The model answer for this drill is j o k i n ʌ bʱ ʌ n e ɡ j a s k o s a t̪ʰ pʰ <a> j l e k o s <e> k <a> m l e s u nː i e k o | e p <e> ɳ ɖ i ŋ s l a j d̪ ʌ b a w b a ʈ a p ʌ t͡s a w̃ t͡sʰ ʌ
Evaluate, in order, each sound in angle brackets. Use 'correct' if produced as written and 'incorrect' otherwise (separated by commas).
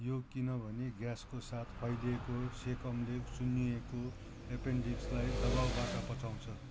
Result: incorrect, correct, incorrect, correct